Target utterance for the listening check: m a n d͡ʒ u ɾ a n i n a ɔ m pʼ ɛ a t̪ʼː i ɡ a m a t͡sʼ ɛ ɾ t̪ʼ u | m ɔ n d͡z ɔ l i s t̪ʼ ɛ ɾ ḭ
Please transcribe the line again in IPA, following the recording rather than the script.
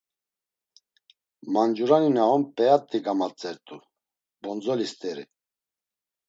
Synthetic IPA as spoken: m a n d͡ʒ u ɾ a n i n a ɔ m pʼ ɛ a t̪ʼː i ɡ a m a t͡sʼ ɛ ɾ t̪ʼ u | b ɔ n d͡z ɔ l i s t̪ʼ ɛ ɾ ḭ